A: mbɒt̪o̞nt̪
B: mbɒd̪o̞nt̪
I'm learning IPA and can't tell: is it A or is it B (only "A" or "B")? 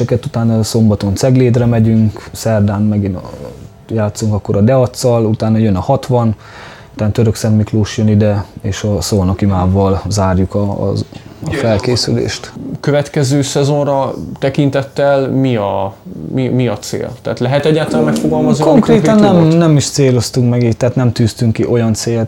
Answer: A